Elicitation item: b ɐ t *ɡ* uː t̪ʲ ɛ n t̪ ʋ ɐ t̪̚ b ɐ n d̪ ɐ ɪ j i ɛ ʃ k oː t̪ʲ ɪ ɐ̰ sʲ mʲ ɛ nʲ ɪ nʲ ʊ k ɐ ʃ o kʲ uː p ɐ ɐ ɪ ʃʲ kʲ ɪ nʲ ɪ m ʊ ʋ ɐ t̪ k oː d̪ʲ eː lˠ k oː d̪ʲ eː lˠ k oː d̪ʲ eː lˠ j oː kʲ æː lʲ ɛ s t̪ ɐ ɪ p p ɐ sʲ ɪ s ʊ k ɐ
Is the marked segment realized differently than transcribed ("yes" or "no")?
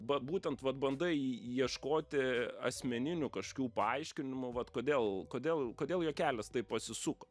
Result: yes